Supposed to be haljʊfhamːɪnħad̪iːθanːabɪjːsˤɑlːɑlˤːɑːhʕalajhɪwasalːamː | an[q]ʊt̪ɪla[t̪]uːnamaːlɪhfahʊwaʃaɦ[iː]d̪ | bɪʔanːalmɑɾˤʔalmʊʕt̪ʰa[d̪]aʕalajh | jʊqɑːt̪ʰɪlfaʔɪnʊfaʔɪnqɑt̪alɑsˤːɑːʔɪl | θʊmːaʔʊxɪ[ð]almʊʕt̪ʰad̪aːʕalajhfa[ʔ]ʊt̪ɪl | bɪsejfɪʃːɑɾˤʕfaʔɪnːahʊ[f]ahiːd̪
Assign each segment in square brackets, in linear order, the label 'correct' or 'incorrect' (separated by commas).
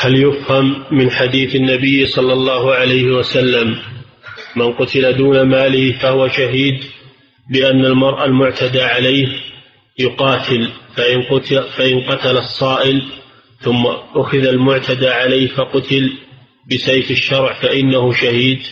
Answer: correct, incorrect, correct, correct, correct, incorrect, incorrect